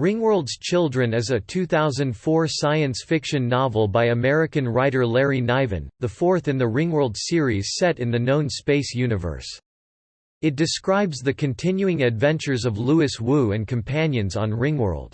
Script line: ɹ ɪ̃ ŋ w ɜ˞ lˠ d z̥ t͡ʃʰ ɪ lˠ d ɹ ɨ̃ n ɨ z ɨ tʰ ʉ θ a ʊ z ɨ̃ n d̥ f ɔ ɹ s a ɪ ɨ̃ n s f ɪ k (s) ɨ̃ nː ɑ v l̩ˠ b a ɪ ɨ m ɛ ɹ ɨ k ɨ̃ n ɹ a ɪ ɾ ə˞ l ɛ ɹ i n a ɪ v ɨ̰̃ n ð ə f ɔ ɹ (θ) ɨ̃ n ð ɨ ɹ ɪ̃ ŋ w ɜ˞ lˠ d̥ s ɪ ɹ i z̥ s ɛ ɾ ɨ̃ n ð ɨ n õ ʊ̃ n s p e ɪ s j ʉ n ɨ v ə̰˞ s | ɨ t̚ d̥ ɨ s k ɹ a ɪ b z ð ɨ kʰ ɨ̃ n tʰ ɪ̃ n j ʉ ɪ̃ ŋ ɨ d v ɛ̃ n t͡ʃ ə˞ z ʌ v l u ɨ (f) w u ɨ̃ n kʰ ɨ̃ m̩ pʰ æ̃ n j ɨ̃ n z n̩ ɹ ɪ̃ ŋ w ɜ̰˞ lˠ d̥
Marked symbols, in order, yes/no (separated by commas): no, yes, no